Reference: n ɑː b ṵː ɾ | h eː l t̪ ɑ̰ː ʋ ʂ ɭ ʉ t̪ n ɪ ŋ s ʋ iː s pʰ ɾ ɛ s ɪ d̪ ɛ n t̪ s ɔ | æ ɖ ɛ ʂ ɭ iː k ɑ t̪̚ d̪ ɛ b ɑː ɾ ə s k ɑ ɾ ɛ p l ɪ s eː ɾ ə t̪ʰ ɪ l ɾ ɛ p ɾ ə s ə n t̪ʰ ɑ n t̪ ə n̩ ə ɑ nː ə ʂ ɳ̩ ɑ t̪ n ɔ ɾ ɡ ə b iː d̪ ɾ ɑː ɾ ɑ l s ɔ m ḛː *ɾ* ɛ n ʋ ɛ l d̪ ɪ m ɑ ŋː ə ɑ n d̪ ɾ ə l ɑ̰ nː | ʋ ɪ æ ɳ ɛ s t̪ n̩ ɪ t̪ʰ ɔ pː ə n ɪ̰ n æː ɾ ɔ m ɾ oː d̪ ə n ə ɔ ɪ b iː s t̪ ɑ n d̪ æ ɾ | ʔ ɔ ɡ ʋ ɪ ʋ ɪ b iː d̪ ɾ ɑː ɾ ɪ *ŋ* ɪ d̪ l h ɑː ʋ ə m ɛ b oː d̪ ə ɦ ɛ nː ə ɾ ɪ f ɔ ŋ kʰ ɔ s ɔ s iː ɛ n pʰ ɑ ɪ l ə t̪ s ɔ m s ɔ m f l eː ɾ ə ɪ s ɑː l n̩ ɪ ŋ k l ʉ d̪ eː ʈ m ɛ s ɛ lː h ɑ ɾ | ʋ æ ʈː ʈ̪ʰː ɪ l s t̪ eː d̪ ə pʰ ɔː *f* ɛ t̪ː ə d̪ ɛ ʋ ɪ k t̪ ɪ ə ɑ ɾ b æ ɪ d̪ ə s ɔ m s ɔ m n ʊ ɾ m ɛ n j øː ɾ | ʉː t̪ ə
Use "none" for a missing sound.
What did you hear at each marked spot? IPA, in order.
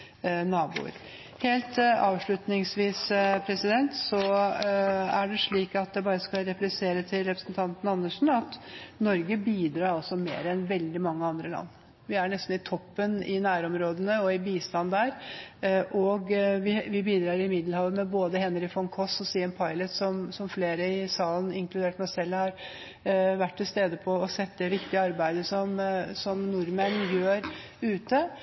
ɾ, m, s

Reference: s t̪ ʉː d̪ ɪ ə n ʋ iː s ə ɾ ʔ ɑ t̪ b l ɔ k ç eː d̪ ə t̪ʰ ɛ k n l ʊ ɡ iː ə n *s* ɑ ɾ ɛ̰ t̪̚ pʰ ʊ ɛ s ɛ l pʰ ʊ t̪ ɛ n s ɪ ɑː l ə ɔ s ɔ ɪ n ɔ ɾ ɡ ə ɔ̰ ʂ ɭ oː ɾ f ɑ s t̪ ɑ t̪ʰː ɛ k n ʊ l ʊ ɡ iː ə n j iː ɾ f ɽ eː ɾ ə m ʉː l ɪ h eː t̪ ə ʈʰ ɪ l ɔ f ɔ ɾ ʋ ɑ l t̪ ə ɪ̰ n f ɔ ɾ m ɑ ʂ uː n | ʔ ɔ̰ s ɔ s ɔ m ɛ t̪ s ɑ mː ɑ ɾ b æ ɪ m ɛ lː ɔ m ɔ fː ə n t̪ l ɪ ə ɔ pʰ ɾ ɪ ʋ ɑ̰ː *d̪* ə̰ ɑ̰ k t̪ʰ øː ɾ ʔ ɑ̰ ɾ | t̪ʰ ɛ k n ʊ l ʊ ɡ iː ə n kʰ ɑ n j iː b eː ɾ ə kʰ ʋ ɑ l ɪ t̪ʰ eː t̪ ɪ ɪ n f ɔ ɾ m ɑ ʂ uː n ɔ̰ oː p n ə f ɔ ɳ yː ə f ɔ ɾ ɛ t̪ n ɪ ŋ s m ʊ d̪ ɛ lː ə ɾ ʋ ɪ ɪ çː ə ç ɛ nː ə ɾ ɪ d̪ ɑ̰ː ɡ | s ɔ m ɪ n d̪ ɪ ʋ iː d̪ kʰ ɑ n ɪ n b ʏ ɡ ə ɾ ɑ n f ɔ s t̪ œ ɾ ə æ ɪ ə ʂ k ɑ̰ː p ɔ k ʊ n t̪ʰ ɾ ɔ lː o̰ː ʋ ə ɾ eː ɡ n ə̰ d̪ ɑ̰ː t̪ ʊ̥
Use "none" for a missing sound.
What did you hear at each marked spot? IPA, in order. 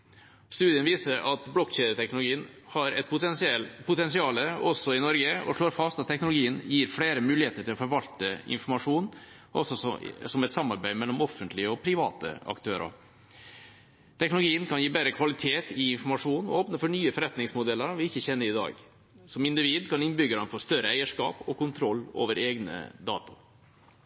h, t̪

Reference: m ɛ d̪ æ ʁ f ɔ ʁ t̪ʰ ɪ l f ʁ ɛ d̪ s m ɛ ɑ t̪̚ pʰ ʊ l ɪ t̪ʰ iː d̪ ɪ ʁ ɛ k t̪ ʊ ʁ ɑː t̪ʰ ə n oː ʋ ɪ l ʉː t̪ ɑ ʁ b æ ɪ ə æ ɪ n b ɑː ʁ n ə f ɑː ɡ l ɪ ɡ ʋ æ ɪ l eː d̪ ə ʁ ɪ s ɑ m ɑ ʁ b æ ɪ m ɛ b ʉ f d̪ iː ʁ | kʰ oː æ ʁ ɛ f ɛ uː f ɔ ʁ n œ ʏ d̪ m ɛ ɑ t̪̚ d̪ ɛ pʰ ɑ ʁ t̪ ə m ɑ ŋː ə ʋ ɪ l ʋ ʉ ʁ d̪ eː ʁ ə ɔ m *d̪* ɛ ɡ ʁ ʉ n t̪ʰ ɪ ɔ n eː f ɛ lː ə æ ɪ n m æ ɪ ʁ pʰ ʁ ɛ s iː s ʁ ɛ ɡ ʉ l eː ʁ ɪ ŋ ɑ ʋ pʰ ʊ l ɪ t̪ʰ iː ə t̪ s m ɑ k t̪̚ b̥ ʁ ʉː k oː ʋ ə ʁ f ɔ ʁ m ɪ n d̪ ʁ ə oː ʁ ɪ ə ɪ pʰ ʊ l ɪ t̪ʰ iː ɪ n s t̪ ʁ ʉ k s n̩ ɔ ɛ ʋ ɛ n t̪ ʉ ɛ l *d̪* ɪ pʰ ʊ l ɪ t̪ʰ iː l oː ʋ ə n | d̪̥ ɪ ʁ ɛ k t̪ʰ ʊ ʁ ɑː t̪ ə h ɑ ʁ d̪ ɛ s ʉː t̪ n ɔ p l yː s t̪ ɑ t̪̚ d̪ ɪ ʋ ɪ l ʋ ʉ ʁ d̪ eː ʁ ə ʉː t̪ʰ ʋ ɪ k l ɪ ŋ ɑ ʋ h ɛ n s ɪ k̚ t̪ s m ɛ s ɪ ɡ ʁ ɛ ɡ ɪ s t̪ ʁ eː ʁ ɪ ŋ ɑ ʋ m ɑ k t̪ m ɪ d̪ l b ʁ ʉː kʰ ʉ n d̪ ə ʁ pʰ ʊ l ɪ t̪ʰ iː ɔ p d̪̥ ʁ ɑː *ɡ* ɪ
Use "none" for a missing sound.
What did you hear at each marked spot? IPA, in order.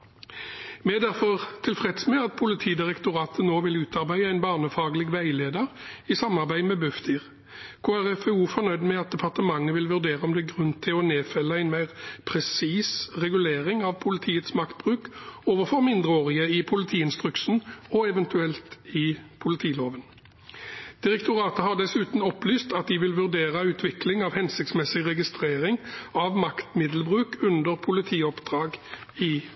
d̪, t̪, ɡ

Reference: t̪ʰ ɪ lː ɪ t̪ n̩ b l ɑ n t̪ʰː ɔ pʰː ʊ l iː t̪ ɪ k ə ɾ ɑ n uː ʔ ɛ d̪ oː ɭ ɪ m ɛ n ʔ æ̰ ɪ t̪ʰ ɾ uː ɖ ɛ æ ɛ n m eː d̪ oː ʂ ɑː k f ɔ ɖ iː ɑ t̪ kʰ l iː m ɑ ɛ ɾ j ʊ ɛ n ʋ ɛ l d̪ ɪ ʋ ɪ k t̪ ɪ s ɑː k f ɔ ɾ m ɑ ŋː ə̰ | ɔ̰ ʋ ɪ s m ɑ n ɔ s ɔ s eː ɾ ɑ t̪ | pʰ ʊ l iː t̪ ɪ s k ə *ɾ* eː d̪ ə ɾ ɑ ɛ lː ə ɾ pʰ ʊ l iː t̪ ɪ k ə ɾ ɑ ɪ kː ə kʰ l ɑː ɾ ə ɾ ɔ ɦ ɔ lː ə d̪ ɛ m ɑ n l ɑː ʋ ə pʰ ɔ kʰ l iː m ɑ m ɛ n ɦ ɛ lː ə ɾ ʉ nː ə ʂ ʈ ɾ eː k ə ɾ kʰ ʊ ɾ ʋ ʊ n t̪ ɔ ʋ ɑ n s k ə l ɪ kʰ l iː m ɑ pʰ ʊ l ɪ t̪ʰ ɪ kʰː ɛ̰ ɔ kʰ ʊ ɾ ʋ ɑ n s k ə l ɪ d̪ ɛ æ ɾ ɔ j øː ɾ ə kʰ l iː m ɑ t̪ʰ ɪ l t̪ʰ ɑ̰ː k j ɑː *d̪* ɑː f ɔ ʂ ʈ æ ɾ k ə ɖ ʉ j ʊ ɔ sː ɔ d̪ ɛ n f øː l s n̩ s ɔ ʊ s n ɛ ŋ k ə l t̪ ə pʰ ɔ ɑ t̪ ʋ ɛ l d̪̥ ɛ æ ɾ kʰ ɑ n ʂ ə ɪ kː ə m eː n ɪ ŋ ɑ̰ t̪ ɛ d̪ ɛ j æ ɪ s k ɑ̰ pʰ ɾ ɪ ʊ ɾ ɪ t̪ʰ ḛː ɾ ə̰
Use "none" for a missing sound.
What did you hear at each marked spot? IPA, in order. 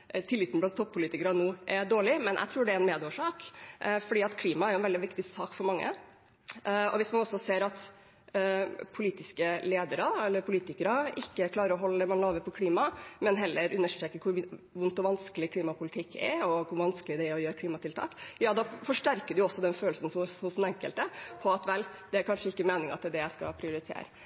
l, d̪

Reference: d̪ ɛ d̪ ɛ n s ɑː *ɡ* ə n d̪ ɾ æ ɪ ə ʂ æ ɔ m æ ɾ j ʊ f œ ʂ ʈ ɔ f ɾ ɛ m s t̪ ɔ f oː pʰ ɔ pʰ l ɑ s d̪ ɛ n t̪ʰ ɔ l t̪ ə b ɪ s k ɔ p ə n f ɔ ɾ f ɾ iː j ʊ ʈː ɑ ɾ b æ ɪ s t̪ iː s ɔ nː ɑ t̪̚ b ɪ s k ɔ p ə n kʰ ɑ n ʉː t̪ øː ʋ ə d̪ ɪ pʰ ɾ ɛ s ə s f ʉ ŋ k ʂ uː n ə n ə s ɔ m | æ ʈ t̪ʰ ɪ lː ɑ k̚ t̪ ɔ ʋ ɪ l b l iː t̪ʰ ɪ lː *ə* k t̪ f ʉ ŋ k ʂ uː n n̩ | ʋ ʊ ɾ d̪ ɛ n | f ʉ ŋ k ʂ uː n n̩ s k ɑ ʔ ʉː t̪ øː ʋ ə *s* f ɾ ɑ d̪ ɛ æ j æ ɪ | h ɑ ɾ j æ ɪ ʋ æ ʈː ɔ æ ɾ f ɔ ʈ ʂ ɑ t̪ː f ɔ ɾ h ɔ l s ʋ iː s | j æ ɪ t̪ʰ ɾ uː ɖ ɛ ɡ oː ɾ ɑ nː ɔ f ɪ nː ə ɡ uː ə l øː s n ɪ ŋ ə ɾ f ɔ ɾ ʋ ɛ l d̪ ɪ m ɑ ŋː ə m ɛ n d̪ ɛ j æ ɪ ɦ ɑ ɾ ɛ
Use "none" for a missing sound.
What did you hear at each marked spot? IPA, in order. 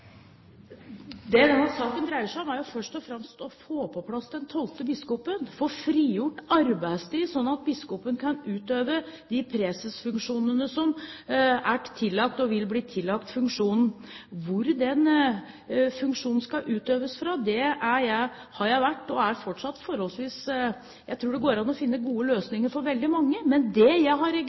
k, ɑ, s

